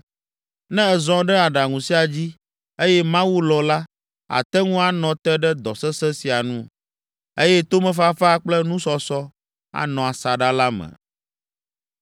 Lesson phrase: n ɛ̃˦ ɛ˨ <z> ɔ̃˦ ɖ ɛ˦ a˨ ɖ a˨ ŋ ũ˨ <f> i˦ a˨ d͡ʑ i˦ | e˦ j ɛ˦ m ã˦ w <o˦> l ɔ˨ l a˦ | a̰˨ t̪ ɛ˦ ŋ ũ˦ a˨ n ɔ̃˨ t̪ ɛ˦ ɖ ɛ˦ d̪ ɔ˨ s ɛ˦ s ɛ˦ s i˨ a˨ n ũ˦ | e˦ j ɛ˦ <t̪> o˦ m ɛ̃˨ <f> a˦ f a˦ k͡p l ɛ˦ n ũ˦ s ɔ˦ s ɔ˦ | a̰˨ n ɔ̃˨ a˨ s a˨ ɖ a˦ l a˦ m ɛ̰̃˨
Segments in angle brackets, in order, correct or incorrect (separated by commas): correct, incorrect, incorrect, correct, correct